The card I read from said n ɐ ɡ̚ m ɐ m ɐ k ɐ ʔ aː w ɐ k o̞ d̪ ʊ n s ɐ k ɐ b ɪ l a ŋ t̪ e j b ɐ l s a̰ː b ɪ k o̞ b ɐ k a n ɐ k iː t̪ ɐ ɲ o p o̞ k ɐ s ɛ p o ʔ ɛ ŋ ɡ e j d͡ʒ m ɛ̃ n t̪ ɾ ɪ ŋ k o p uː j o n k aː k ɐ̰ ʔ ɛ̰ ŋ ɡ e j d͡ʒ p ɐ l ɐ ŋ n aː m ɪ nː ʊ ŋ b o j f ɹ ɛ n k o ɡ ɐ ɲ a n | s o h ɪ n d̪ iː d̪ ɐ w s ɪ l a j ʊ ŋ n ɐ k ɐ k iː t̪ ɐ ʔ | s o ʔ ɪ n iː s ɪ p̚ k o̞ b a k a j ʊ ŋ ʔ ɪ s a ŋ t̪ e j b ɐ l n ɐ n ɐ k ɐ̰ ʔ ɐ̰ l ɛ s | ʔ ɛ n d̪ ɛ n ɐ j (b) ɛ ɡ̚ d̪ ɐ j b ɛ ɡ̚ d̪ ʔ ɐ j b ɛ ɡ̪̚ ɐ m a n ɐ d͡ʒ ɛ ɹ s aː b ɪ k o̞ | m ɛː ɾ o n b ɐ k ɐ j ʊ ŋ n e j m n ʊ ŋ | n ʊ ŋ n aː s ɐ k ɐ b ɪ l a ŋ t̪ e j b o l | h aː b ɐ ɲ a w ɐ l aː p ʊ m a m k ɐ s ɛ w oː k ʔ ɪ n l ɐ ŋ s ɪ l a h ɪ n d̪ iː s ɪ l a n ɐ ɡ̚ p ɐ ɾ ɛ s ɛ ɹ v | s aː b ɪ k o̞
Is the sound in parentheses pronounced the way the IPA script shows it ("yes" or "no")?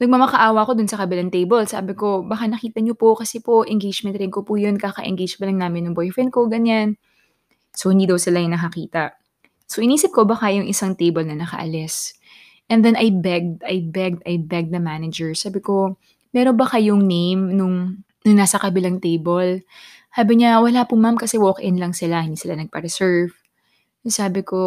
yes